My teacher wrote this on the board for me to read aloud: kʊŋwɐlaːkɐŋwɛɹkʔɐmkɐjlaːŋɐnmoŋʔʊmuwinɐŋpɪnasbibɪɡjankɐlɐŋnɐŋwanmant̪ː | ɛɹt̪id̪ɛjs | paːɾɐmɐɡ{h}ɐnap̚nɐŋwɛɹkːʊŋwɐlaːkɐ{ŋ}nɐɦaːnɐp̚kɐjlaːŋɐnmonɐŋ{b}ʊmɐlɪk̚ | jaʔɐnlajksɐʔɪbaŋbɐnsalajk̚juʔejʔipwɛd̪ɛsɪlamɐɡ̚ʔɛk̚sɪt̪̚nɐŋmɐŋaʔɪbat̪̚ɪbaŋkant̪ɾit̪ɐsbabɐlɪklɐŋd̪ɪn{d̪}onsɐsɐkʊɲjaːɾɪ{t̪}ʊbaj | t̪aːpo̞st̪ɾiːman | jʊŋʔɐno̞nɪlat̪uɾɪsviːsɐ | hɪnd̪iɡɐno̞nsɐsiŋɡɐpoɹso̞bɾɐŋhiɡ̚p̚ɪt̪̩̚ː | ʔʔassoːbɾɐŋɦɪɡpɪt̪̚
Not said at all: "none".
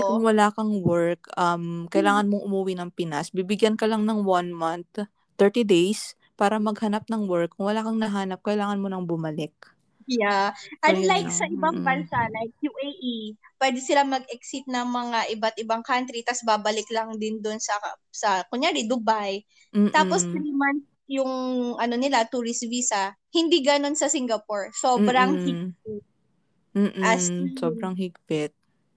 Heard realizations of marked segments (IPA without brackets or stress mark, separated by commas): h, ŋ, b, d̪, d̪